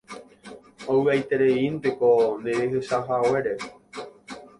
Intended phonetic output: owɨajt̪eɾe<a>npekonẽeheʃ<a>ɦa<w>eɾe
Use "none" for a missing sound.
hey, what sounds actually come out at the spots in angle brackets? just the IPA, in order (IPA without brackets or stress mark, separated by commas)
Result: i, a, w